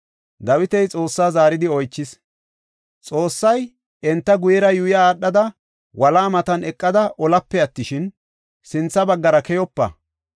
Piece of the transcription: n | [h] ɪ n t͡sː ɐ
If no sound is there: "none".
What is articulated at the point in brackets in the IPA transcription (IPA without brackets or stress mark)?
s